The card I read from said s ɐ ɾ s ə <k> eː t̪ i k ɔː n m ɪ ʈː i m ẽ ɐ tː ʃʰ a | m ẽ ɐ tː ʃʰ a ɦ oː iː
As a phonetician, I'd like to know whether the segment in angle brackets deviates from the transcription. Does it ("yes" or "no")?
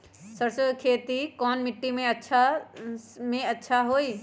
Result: yes